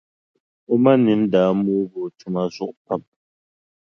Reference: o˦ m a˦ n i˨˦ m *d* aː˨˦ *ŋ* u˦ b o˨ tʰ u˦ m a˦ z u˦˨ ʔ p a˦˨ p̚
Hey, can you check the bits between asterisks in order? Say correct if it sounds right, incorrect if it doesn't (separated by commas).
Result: correct, incorrect